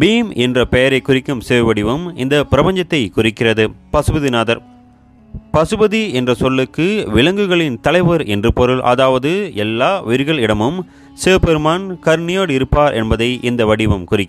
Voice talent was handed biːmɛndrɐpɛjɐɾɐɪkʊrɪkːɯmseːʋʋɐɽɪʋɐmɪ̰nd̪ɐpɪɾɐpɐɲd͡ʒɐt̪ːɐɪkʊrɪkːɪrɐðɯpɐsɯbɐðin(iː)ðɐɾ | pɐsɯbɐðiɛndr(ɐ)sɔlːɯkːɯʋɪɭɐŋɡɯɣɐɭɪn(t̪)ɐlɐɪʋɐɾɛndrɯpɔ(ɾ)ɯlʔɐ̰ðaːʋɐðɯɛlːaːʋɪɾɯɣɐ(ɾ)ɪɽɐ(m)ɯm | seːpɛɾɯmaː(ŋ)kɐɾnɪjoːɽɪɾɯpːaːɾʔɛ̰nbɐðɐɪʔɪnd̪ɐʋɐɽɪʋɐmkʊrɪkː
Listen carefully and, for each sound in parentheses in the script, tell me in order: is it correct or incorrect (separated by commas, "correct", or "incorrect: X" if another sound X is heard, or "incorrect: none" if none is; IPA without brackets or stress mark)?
incorrect: aː, correct, correct, correct, incorrect: ɭ, correct, incorrect: n